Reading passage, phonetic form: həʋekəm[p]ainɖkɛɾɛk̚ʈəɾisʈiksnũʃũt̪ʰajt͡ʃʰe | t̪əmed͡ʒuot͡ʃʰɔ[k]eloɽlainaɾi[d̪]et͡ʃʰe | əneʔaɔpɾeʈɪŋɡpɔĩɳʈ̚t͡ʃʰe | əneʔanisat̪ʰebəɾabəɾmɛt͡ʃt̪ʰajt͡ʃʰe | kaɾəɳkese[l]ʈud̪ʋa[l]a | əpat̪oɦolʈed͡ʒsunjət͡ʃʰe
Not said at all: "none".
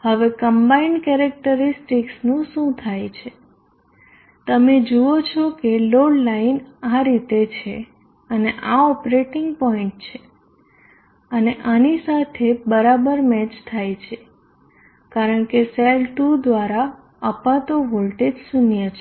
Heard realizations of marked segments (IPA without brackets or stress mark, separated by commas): b, k, t̪, l, ɾ